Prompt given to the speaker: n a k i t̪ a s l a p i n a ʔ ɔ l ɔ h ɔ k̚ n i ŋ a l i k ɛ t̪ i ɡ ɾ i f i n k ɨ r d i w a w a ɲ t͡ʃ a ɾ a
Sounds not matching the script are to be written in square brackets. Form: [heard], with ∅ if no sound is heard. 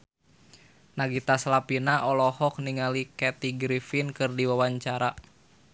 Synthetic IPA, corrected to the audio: n a [ɡ] i t̪ a s l a p i n a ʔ ɔ l ɔ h ɔ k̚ n i ŋ a l i k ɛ t̪ i ɡ ɾ i f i n k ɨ r d i w a w a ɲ t͡ʃ a ɾ a